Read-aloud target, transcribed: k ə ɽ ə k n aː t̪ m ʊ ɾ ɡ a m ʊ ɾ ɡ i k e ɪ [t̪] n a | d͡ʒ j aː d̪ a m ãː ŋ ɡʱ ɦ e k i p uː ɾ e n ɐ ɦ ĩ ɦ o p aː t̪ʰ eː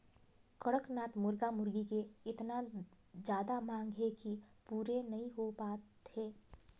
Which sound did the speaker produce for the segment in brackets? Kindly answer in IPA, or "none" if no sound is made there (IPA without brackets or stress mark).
t̪